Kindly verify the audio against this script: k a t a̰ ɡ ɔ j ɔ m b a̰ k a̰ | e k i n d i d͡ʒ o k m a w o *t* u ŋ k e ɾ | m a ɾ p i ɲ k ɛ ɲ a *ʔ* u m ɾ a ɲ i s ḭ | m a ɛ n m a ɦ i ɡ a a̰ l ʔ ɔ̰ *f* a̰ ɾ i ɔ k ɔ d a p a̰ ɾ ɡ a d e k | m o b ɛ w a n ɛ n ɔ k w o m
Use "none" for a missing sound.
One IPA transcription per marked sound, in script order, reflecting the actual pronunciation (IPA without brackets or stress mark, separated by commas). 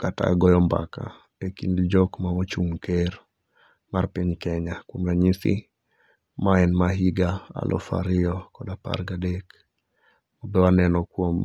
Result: t͡ʃ, k, f